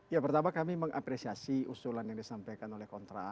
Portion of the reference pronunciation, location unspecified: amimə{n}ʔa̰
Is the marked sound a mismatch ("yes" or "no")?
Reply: yes